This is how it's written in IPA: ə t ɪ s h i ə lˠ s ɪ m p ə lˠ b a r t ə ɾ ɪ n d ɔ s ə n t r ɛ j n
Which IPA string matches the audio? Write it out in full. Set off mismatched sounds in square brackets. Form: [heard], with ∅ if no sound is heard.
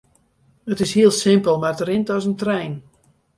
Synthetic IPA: ə t ɪ s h i ə lˠ s ɪ m p ə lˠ [m] a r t ə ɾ ɪ n [t] ɔ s ə n t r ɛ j n

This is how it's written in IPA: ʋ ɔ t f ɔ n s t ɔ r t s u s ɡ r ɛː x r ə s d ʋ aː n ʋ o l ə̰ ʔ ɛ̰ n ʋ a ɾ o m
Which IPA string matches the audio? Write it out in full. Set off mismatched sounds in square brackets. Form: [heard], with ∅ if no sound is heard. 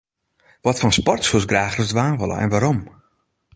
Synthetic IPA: ʋ ɔ t f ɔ n s [p] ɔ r t s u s ɡ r [aː] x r ə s d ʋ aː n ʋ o l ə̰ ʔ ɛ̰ n ʋ a ɾ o m

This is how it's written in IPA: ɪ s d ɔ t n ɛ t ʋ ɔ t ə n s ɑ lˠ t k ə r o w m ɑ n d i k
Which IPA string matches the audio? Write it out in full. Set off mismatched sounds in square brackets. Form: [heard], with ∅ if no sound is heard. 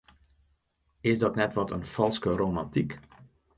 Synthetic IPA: ɪ s d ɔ t n ɛ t ʋ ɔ t ə n [f] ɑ lˠ [s] k ə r o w m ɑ n [t] i k

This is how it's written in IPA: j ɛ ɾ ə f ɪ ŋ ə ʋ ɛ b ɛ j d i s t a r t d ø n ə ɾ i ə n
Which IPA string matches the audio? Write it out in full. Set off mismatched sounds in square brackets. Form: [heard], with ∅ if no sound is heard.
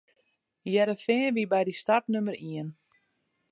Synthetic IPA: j ɛ ɾ ə f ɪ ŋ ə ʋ [i] b ɛ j d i s t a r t [n] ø [m] ə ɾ i ə n

